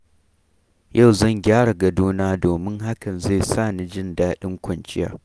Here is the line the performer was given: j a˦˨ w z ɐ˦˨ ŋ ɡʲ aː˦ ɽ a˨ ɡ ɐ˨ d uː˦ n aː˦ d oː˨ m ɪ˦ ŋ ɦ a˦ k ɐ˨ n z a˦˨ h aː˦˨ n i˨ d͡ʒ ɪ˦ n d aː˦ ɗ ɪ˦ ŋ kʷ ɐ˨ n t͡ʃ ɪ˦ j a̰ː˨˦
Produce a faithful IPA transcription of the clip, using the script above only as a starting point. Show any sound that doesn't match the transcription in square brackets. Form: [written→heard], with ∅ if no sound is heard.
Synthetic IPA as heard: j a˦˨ w z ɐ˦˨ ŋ ɡʲ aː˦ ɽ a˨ ɡ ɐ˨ d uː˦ n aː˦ d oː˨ m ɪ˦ ŋ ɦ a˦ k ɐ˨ n z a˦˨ [h→s] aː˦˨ n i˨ d͡ʒ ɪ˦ n d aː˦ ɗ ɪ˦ ŋ kʷ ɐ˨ n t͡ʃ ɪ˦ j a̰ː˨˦